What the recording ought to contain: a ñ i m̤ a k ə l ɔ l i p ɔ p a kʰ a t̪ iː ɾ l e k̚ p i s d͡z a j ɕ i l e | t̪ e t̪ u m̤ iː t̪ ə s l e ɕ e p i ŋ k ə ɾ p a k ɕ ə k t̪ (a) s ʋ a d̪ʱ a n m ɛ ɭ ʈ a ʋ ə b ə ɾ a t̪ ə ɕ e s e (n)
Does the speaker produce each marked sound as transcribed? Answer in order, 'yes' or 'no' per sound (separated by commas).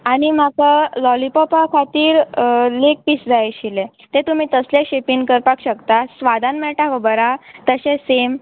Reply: yes, no